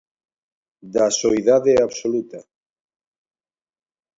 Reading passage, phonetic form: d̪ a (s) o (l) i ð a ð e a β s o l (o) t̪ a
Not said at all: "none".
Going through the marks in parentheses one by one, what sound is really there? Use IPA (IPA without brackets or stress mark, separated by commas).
s, none, u